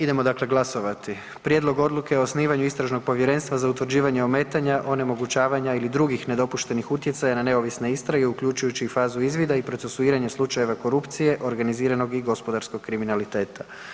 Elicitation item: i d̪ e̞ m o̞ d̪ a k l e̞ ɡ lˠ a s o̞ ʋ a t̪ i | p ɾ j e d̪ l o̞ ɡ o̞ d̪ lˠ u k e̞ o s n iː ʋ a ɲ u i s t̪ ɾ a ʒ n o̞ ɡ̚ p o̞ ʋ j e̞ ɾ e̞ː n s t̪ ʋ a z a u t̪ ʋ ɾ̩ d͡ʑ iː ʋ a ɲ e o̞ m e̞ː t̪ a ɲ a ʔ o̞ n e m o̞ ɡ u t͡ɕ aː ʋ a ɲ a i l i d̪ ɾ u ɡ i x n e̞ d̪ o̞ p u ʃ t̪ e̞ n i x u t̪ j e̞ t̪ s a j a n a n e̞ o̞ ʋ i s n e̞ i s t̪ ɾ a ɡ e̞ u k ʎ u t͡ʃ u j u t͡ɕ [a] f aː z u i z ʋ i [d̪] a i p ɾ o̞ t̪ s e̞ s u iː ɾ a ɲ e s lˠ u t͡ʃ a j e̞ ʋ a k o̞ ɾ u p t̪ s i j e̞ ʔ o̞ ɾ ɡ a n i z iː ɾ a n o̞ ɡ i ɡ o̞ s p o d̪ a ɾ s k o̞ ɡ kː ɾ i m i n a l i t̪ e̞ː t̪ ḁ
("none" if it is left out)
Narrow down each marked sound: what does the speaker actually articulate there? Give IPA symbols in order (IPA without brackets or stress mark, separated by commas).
i, d̪